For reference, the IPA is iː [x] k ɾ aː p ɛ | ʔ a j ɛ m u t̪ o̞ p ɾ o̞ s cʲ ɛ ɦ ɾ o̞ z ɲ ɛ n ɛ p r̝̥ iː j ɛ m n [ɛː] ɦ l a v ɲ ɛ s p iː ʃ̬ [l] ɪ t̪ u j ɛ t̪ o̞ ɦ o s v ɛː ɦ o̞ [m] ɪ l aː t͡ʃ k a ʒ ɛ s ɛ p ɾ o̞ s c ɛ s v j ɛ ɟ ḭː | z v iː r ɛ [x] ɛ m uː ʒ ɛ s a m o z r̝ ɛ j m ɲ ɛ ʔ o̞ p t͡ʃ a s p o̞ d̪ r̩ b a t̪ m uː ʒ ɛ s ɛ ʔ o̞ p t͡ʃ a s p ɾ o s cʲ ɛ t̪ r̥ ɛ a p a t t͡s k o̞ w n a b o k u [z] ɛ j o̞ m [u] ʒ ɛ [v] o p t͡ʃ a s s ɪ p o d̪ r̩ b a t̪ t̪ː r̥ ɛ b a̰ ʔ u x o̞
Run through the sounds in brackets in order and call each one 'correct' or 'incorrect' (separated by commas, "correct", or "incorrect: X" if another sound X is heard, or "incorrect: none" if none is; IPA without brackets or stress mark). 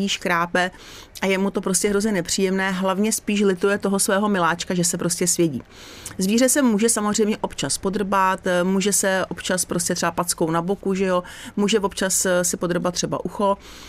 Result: incorrect: ʃ, correct, correct, correct, incorrect: s, incorrect: ʒ, incorrect: uː, correct